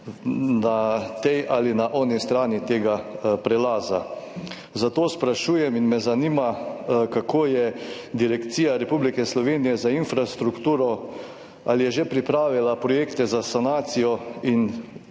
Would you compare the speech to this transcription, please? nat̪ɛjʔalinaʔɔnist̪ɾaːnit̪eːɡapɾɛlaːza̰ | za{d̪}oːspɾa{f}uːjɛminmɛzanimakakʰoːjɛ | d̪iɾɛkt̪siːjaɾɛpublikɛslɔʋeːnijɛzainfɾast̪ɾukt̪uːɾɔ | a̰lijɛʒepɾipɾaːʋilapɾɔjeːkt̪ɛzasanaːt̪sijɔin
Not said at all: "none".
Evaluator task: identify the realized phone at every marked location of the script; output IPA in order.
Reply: t̪, ʃ

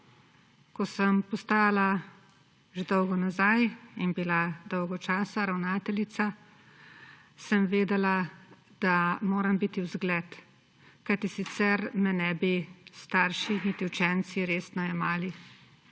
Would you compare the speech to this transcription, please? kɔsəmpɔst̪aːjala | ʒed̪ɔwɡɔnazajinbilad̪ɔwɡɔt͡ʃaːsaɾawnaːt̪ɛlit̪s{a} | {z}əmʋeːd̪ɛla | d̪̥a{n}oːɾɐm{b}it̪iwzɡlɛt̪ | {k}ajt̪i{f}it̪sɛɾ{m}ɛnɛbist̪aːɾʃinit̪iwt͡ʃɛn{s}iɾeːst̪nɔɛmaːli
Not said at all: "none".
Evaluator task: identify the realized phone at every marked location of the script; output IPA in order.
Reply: a, s, m, b, k, s, m, s

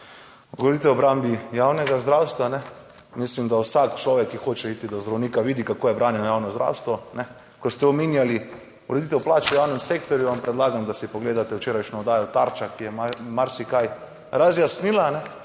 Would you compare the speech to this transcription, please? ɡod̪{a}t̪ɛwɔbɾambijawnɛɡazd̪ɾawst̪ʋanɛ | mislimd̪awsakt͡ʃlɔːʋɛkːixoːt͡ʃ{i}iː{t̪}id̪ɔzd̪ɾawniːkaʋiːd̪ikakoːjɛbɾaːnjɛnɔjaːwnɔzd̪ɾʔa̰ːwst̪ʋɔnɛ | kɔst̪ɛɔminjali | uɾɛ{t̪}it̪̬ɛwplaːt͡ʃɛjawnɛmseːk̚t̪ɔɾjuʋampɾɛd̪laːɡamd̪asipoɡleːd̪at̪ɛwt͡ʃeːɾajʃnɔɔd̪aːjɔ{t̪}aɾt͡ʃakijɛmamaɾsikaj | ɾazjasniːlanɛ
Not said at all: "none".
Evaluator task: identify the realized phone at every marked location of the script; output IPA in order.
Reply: i, ɛ, t̪, d̪, t̪

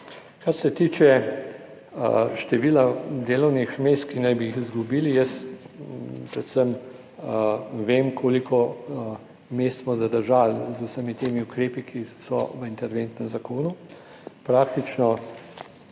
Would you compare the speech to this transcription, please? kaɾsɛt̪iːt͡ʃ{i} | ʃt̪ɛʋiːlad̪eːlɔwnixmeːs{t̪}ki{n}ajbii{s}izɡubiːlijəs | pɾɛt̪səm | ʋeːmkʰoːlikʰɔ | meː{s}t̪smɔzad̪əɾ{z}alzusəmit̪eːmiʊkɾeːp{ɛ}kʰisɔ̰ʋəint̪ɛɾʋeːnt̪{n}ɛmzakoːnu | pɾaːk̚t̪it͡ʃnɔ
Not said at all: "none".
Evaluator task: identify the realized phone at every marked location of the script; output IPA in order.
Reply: ɛ, t̪, n, x, s, ʒ, i, n

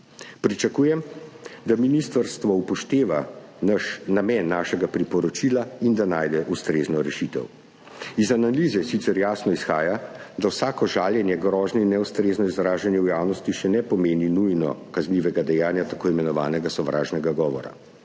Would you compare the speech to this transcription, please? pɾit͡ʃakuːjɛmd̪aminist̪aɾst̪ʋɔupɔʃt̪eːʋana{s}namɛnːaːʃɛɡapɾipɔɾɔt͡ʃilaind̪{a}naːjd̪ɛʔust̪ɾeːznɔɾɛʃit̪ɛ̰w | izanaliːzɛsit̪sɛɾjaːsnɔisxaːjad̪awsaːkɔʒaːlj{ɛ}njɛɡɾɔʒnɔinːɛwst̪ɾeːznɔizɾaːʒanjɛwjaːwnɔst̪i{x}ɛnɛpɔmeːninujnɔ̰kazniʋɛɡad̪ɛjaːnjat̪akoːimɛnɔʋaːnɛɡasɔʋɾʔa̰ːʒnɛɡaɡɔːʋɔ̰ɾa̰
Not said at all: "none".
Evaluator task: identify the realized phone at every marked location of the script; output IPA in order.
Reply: ʃ, a, ɛ, ʃ

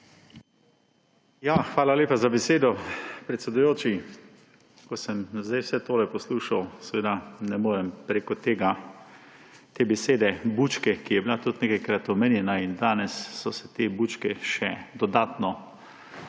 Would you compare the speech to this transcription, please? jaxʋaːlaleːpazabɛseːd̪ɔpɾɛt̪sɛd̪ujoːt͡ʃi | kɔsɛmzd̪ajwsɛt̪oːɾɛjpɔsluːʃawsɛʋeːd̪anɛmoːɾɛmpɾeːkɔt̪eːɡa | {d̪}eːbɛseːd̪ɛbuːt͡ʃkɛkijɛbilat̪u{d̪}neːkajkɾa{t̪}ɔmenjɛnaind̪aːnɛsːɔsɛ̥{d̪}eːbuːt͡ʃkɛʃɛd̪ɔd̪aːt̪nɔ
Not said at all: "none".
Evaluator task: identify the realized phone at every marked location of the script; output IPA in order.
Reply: t̪, t̪, t̪, t̪

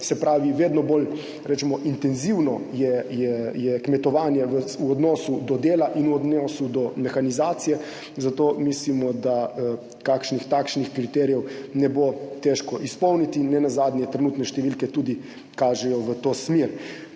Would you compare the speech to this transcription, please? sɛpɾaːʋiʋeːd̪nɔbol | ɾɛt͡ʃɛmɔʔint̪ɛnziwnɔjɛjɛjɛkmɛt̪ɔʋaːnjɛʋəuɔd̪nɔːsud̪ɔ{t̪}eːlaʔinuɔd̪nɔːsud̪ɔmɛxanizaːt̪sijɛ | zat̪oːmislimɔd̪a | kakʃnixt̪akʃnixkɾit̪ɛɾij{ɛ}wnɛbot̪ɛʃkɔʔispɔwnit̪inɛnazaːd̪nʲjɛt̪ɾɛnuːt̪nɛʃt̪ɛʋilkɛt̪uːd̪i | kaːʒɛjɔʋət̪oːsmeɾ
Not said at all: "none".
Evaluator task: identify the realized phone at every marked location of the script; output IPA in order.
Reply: d̪, ɛ

